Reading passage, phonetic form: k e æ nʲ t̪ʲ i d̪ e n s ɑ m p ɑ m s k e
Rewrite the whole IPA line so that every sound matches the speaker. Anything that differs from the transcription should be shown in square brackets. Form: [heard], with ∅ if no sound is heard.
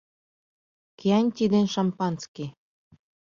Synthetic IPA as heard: k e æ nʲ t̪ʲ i d̪ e n [ʃ] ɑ m p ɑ [n] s k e